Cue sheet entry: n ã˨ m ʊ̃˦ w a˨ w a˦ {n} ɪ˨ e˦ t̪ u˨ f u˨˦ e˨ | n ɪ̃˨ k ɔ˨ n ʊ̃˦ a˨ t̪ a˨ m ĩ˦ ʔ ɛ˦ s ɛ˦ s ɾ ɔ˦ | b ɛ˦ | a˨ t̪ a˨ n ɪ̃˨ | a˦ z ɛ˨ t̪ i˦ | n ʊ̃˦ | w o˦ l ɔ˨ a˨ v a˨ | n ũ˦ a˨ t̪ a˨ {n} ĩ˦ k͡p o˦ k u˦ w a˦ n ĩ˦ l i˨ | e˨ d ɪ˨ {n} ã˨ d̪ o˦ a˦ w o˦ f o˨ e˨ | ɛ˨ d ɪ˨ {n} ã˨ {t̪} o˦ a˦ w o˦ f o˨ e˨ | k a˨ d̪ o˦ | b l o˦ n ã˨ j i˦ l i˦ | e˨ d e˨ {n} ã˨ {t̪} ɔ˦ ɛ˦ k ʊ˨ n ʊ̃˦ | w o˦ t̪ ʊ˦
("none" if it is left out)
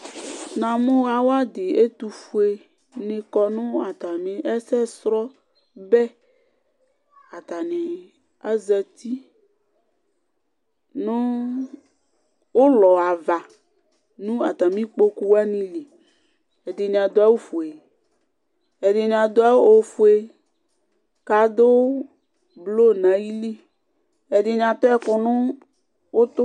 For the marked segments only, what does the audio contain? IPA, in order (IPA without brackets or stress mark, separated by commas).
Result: d, m, ɲ, ɲ, d̪, ɲ, t̪